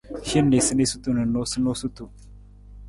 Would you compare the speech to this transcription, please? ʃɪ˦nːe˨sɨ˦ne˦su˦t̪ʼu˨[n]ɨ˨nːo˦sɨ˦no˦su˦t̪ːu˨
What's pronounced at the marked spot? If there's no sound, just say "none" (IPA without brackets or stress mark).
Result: n